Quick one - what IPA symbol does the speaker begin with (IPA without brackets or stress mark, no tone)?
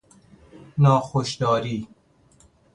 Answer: n